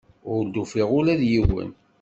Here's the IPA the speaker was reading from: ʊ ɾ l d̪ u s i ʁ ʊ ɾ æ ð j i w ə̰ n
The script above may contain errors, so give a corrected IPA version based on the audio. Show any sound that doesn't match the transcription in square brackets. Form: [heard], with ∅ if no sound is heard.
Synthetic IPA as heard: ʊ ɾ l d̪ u [f] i ʁ ʊ [l] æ ð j i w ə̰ n